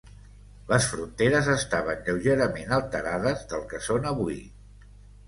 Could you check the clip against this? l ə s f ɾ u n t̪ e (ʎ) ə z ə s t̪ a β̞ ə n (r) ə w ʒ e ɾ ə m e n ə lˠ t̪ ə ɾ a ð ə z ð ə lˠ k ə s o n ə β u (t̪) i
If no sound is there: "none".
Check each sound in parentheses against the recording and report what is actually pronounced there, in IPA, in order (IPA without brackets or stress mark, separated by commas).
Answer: ɾ, ʎ, none